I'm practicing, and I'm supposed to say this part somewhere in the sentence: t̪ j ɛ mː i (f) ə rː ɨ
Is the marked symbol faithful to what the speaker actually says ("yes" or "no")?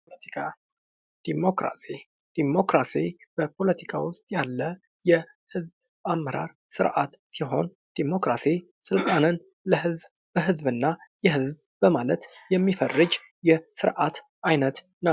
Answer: yes